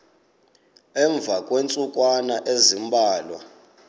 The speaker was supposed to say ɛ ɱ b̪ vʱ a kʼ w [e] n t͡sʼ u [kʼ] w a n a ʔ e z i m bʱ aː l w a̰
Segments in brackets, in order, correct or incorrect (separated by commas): correct, correct